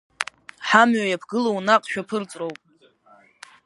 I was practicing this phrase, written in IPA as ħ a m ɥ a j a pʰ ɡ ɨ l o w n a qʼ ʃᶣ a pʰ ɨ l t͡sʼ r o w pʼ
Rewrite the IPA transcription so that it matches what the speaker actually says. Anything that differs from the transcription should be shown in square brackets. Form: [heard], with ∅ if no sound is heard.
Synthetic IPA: ħ a m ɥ a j a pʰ ɡ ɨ l o w n a qʼ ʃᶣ a pʰ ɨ [r] t͡sʼ r o w pʼ

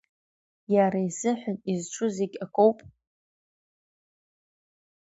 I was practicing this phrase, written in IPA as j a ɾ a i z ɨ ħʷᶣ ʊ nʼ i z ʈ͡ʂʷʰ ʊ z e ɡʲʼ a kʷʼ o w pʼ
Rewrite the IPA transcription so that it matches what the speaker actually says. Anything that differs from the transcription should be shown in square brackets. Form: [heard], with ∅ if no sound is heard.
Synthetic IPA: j a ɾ a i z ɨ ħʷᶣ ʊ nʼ i z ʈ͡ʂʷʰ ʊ z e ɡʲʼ a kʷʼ o w pʼ

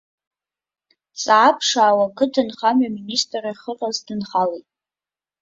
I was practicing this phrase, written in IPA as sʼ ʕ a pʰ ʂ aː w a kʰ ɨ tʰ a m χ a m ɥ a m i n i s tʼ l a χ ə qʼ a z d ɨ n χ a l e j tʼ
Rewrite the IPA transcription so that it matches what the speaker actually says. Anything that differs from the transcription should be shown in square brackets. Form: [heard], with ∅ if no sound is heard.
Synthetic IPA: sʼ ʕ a pʰ ʂ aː w a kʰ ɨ tʰ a [n] χ a m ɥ a m i n i s tʼ [r] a χ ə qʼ a z d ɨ n χ a l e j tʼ

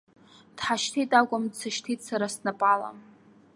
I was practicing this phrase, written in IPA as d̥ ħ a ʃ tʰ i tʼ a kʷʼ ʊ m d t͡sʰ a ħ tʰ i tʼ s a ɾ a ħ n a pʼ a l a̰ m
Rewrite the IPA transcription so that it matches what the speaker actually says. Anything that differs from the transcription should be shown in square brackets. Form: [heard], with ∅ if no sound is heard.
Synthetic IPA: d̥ ħ a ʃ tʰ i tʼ a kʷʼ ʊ m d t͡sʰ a [ʃ] tʰ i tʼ s a ɾ a [s] n a pʼ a l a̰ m

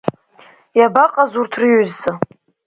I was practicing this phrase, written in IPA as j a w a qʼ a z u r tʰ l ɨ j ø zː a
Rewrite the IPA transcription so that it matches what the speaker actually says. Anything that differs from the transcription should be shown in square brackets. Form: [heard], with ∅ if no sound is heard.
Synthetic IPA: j a [b] a qʼ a z u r tʰ [r] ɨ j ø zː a

